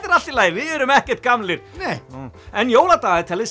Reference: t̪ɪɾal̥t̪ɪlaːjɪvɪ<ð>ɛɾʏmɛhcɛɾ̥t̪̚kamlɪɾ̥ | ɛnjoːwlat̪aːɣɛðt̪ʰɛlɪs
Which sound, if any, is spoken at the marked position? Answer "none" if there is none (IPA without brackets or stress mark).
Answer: ð